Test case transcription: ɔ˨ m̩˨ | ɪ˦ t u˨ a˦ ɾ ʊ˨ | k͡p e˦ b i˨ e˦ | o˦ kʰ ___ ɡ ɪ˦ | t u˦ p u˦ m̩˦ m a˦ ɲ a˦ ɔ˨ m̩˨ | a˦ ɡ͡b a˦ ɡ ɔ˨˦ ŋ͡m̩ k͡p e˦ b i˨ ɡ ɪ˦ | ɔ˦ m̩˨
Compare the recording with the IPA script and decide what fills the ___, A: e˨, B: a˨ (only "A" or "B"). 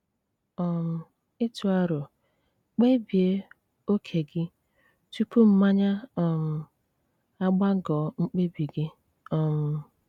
A